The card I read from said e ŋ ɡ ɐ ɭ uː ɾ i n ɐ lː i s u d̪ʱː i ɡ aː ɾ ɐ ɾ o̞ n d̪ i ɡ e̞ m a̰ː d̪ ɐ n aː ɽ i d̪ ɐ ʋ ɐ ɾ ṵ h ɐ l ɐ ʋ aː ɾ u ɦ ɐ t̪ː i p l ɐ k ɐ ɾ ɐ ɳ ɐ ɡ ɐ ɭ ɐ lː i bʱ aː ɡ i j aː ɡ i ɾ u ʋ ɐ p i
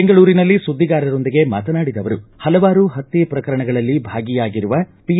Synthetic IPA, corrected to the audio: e ŋ ɡ ɐ ɭ uː ɾ i n ɐ lː i s u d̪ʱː i ɡ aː ɾ ɐ ɾ o̞ n d̪ i ɡ e̞ m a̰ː t̪ ɐ n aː ɽ i d̪ ɐ ʋ ɐ ɾ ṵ h ɐ l ɐ ʋ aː ɾ u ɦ ɐ t̪ː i p ɾ ɐ k ɐ ɾ ɐ ɳ ɐ ɡ ɐ ɭ ɐ lː i bʱ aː ɡ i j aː ɡ i ɾ u ʋ ɐ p i